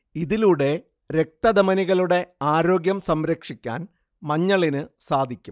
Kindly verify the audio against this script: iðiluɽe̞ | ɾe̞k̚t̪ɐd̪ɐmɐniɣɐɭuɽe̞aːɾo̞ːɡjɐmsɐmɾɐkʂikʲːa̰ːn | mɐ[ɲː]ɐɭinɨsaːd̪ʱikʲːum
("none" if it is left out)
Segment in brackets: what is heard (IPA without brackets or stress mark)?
ɲː